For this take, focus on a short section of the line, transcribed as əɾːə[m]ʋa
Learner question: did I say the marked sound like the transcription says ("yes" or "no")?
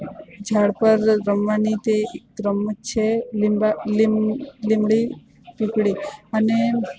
yes